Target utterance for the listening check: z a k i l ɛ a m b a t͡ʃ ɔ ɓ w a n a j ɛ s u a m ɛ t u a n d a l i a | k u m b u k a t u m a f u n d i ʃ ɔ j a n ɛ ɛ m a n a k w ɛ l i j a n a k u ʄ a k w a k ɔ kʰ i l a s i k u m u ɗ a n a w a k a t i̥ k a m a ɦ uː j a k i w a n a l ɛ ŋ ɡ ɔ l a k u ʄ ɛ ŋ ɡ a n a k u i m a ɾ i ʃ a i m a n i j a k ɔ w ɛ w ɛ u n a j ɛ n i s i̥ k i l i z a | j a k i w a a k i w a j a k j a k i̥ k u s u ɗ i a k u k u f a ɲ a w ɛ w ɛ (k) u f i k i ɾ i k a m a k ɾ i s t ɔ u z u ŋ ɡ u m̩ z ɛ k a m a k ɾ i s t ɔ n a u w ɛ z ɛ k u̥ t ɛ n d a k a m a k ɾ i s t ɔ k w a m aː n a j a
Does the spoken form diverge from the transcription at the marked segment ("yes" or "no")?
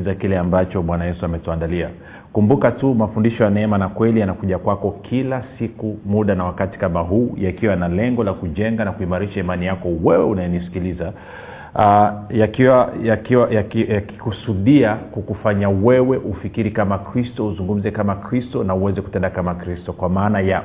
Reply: yes